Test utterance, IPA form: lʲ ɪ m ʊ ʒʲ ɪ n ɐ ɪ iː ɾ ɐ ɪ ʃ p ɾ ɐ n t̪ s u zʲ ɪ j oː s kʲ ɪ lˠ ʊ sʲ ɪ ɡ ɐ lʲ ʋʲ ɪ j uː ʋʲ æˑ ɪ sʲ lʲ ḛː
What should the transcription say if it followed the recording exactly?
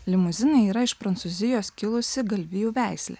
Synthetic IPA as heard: lʲ ɪ m ʊ zʲ ɪ n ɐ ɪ iː ɾ ɐ ɪ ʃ p ɾ ɐ n t̪ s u zʲ ɪ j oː s kʲ ɪ lˠ ʊ sʲ ɪ ɡ ɐ lʲ ʋʲ ɪ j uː ʋʲ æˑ ɪ sʲ lʲ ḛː